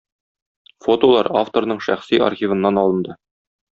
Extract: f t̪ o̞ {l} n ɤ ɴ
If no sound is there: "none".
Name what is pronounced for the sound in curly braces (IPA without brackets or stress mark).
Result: ɾ